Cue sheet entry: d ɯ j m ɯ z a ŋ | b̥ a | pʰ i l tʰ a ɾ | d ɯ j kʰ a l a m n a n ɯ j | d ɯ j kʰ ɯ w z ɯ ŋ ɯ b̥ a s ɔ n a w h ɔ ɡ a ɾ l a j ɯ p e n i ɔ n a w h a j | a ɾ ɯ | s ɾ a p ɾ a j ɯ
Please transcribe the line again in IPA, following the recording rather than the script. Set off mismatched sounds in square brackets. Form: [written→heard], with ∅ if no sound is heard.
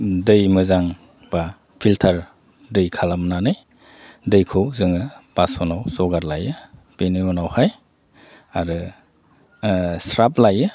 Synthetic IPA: d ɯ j m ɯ z a ŋ | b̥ a | pʰ i l tʰ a ɾ | d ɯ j kʰ a l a m n a n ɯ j | d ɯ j kʰ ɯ w z ɯ ŋ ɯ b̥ a s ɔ n a w [h→s] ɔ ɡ a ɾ l a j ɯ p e n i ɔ n a w h a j | a ɾ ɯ | s ɾ a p [ɾ→l] a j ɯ